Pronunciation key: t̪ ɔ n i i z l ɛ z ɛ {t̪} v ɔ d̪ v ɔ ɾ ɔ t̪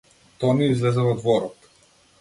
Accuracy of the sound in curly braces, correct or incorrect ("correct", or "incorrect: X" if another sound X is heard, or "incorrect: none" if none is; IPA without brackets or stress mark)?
incorrect: none